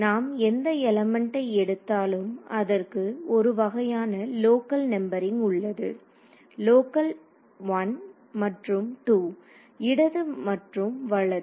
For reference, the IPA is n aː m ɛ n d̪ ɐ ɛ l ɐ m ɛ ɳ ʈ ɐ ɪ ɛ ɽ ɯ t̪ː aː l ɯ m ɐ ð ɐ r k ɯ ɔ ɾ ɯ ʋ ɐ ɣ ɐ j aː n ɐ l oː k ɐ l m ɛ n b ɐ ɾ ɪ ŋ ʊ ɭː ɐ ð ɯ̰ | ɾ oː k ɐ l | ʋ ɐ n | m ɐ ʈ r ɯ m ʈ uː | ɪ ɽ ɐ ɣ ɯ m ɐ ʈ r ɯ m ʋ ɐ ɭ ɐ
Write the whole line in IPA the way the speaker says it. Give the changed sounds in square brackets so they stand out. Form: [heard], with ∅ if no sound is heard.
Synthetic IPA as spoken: n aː m ɛ n d̪ ɐ ɛ l ɐ m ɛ ɳ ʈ ɐ ɪ ɛ ɽ ɯ t̪ː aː l ɯ m ɐ ð ɐ r k ɯ ɔ ɾ ɯ ʋ ɐ ɣ ɐ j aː n ɐ l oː k ɐ l [n] ɛ [m] b ɐ ɾ ɪ ŋ ʊ ɭː ɐ ð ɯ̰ | [l] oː k ɐ l | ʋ ɐ n | m ɐ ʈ r ɯ m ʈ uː | ɪ ɽ ɐ [ð] ɯ m ɐ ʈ r ɯ m ʋ ɐ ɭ ɐ